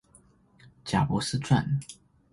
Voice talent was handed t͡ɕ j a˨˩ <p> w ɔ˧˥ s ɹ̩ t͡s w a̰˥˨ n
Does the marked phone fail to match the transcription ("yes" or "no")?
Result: no